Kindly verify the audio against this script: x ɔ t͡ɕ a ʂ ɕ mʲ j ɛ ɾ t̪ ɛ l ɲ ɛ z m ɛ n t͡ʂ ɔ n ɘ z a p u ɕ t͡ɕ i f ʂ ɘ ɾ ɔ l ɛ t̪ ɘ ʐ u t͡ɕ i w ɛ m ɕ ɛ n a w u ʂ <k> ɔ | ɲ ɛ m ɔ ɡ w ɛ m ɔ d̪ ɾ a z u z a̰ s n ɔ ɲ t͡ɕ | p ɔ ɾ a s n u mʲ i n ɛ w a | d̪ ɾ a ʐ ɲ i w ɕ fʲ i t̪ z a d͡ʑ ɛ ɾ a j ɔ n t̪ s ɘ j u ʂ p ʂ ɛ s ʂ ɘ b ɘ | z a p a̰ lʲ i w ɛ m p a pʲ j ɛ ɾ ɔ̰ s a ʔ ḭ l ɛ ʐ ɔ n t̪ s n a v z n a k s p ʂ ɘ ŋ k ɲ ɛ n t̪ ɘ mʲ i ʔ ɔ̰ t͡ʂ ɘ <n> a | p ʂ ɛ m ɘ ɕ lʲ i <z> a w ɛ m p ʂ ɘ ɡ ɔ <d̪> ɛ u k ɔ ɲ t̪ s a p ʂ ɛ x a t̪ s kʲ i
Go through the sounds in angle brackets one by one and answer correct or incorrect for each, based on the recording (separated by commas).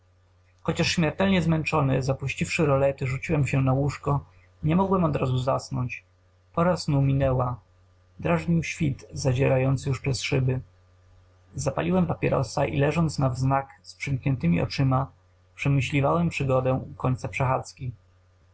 correct, incorrect, incorrect, correct